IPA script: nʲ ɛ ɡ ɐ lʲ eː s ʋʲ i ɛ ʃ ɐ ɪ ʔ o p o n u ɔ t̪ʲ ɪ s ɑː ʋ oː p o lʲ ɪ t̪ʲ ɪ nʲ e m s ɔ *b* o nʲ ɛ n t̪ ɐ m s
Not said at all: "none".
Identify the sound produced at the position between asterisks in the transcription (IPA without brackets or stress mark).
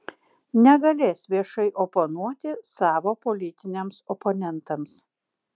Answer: p